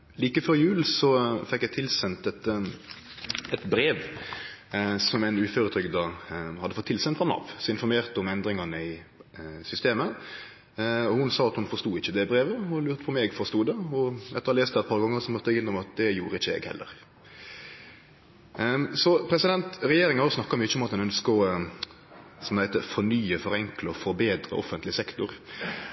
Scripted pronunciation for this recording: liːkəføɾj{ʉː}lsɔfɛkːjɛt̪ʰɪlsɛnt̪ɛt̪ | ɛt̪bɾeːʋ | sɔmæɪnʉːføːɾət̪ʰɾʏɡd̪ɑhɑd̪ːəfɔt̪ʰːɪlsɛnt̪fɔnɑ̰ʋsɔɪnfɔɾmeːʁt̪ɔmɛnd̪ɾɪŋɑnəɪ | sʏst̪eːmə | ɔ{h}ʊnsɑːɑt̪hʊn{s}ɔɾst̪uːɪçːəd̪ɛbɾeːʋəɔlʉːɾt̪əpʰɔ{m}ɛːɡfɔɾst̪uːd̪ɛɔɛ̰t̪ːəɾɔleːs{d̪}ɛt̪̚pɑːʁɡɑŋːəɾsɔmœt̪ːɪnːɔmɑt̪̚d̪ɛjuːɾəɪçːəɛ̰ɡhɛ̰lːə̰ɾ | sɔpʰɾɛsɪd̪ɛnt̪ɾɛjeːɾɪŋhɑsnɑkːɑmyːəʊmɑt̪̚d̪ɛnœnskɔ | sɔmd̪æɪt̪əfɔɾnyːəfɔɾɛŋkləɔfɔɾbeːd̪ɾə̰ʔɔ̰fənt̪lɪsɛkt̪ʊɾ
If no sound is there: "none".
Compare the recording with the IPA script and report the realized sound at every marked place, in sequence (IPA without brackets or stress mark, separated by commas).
ʉː, h, f, m, t̪